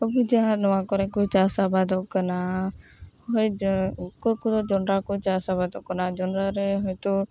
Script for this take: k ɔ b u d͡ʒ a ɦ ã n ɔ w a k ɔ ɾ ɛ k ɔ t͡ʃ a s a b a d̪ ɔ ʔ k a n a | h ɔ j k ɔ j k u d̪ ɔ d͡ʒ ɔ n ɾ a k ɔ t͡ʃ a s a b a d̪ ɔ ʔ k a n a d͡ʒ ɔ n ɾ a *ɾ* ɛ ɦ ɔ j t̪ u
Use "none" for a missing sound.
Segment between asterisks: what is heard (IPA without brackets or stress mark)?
ɾ